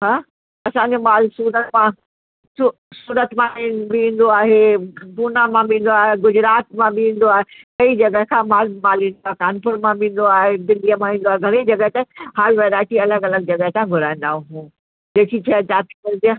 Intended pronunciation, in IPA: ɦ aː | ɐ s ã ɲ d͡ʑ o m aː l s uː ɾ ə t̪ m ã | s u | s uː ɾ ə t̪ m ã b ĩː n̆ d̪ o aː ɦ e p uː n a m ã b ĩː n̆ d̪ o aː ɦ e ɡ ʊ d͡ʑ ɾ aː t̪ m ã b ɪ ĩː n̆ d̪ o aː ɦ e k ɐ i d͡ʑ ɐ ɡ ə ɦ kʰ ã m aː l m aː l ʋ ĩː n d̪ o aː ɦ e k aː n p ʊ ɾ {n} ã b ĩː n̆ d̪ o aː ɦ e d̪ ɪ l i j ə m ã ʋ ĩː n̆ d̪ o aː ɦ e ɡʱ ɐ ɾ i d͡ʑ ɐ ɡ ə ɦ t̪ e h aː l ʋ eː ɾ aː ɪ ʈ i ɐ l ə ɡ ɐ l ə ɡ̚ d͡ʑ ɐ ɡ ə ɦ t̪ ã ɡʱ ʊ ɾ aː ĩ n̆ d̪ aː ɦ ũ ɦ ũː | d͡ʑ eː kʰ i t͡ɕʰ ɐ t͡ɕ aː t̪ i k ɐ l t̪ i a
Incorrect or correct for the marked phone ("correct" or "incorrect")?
incorrect